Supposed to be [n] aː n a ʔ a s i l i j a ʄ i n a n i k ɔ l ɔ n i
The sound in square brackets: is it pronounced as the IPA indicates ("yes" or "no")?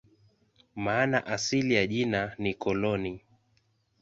no